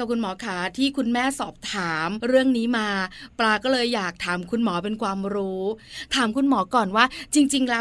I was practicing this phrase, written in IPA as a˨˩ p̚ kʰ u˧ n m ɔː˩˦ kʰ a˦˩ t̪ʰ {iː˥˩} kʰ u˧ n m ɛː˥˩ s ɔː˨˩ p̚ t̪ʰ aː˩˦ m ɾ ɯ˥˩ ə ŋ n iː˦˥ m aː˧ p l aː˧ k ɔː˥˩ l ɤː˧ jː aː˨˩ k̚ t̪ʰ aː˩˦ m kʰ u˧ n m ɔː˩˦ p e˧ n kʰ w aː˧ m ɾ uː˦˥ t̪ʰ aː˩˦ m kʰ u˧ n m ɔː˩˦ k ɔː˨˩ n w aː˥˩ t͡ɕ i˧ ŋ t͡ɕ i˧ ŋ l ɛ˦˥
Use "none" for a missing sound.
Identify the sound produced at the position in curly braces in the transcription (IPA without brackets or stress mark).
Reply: iː˥˩